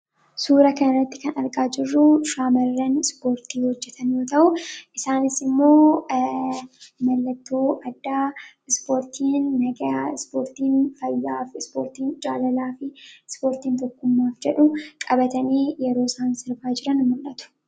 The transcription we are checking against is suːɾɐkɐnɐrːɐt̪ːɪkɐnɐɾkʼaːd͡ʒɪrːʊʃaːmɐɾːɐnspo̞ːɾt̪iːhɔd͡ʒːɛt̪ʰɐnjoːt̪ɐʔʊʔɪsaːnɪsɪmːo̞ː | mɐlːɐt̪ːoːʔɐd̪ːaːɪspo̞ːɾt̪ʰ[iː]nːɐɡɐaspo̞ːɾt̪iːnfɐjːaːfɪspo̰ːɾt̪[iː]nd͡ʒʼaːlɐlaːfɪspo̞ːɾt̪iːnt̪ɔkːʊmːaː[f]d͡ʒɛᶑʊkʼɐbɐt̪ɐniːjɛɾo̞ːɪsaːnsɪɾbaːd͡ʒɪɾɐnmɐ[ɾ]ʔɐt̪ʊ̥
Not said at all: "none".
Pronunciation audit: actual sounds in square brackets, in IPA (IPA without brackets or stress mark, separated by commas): iː, iː, f, l